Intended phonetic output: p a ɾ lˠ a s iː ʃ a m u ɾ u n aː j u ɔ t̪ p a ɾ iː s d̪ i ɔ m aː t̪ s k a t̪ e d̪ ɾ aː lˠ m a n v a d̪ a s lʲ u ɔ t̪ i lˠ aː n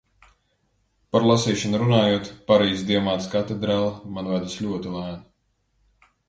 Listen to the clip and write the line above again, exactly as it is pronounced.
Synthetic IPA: p a ɾ lˠ a s iː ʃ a n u ɾ u n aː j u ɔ t̪ p a ɾ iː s d̪ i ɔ m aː t̪ s k a t̪ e d̪ ɾ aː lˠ m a n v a d̪ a s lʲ u ɔ t̪ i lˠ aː n

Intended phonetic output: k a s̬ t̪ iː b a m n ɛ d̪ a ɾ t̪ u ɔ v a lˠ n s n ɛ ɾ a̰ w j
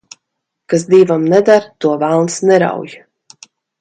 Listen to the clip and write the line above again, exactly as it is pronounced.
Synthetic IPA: k a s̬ d̪ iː v a m n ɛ d̪ a ɾ t̪ u ɔ v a lˠ n s n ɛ ɾ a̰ w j

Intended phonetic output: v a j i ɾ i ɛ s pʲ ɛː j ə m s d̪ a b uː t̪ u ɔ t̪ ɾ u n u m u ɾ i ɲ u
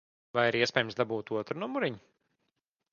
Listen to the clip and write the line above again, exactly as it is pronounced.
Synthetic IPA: v a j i ɾ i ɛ s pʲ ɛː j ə m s d̪ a b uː t̪ u ɔ t̪ ɾ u n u m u ɾ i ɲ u

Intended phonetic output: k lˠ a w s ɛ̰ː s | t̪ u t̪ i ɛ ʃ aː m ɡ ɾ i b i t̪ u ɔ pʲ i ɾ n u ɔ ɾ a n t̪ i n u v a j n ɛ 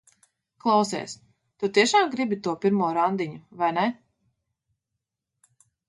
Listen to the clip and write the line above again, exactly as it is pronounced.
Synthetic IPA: k lˠ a w s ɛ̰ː s | t̪ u t̪ i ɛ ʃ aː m ɡ ɾ i b i t̪ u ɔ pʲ i ɾ m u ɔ ɾ a n d̪ i ɲ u v a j n ɛ

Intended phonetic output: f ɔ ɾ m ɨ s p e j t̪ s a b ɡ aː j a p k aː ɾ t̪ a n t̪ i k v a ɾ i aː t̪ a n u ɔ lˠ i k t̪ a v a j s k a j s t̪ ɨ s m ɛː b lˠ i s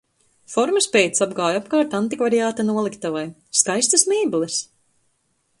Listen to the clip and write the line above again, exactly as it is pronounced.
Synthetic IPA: f ɔ ɾ m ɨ s p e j t̪ s a b ɡ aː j a p k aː ɾ t̪ a n t̪ i k v a ɾ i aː t̪ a n u ɔ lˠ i k t̪ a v a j s k a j s t̪ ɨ s m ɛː b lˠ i s

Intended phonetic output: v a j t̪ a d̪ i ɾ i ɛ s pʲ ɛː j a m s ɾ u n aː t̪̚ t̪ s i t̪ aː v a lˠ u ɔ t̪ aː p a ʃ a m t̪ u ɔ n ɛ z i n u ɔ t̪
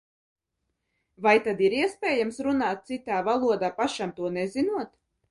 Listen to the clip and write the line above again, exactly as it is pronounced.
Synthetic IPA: v a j t̪ a d̪ i ɾ i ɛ s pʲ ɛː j a m s ɾ u n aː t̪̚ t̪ s i t̪ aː v a lˠ u ɔ d̪ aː p a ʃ a m t̪ u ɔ n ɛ z i n u ɔ t̪

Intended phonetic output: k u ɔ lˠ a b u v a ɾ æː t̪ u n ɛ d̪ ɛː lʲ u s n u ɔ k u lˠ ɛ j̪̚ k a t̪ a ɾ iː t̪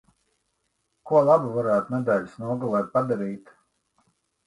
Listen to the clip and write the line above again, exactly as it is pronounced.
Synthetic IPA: k u ɔ lˠ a b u v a ɾ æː t̪ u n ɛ d̪ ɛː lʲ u s n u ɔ ɡ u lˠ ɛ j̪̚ p a d̪ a ɾ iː t̪

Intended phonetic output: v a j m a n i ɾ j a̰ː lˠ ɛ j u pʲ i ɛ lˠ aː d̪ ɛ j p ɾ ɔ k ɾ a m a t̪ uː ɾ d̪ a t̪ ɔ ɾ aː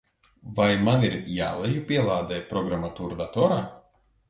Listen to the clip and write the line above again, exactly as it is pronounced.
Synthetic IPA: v a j m a n i ɾ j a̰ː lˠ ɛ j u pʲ i ɛ lˠ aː d̪ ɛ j p ɾ ɔ ɡ ɾ a m a t̪ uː ɾ d̪ a t̪ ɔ ɾ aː

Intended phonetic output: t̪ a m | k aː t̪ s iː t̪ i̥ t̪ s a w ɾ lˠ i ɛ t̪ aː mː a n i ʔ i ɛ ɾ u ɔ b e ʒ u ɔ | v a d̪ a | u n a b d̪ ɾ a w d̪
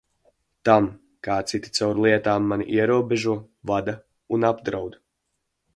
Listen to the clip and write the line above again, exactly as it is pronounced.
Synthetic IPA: t̪ a m | k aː t̪ s i t̪ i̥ t̪ s a w ɾ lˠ i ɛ t̪ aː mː a n i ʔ i ɛ ɾ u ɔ b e ʒ u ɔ | v a d̪ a | u n a b d̪ ɾ a w d̪

